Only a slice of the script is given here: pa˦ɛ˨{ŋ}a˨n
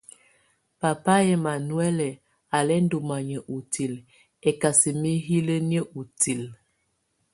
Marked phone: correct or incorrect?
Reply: incorrect